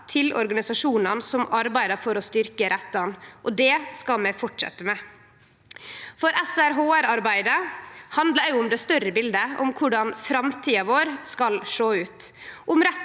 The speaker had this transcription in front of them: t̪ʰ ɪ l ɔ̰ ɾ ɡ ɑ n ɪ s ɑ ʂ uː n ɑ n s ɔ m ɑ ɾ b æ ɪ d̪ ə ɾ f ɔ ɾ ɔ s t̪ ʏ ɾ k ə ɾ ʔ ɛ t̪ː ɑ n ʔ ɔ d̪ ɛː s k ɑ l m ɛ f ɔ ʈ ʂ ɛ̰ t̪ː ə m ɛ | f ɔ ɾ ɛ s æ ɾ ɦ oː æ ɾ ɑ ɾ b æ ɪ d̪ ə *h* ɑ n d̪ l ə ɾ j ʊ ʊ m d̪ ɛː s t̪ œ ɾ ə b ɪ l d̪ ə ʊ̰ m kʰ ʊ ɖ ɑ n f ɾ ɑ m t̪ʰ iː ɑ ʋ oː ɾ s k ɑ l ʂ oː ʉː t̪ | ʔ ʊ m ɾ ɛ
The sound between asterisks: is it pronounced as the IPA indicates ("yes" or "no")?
yes